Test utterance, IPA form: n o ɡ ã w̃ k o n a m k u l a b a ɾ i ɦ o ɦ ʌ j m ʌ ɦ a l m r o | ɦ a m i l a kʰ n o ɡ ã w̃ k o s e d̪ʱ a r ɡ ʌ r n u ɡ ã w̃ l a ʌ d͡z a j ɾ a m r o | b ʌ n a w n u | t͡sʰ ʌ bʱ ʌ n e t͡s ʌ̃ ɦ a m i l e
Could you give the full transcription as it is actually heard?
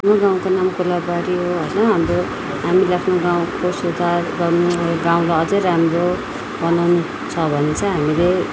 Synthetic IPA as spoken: n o ɡ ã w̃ k o n a m k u l a b a ɾ i ɦ o ɦ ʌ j n ʌ ɦ a m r o | ɦ a m i l a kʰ n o ɡ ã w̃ k o s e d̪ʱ a r ɡ ʌ r n u ɡ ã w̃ l a ʌ d͡z ʌ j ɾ a m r o | b ʌ n a w n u | t͡sʰ ʌ bʱ ʌ n e t͡s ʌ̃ ɦ a m i l e